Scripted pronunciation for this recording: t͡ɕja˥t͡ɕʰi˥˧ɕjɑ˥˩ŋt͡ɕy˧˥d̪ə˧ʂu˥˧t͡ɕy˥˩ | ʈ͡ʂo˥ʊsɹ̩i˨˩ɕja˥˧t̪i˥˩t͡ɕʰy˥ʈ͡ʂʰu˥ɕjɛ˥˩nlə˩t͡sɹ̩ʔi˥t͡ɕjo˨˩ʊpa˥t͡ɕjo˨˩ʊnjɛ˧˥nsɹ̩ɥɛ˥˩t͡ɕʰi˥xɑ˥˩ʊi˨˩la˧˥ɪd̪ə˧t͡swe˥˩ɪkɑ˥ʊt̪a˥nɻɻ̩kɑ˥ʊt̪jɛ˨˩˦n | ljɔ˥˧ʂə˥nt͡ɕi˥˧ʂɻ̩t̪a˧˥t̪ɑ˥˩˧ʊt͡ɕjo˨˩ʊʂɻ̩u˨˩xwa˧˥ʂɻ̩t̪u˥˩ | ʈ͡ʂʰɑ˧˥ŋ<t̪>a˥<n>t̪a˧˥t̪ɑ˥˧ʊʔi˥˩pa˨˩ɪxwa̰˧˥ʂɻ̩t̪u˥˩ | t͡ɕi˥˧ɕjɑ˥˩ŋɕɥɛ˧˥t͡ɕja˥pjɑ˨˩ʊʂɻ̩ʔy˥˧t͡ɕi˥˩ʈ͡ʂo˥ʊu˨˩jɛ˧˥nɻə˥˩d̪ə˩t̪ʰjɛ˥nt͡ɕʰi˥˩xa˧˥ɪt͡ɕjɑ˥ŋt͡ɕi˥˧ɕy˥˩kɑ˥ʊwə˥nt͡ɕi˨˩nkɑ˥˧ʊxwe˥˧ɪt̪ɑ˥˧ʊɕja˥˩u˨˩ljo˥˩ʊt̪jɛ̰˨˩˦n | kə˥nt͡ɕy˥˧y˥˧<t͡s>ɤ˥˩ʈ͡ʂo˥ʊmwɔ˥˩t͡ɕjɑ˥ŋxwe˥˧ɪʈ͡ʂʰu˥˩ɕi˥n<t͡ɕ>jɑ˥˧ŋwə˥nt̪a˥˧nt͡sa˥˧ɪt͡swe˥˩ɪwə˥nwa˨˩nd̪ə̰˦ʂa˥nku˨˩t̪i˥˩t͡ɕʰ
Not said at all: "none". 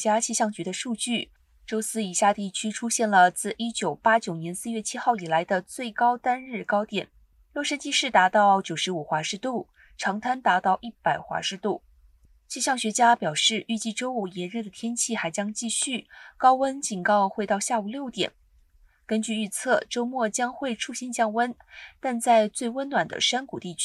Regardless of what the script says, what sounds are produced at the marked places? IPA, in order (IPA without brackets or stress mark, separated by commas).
t̪ʰ, n, t͡sʰ, t͡ɕ